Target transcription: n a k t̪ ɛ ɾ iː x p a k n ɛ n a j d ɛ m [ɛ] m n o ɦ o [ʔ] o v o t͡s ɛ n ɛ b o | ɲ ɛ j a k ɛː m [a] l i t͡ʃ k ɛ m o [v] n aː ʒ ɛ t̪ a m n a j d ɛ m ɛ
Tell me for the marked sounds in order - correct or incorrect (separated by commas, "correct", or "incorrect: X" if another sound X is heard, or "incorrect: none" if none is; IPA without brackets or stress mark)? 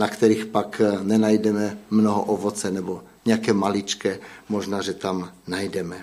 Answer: correct, correct, correct, incorrect: ʒ